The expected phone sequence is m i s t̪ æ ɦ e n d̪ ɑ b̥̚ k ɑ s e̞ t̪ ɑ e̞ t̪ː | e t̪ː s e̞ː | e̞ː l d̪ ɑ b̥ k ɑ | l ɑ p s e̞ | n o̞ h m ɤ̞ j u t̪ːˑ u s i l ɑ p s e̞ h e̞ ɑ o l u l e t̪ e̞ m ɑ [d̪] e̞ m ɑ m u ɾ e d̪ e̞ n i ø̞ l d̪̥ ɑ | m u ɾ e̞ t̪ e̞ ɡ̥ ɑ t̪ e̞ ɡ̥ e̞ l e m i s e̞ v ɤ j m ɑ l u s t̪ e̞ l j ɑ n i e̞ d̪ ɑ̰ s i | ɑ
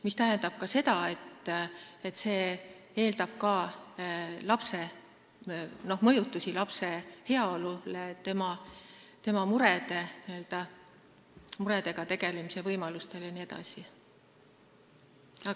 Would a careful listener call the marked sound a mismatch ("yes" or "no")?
yes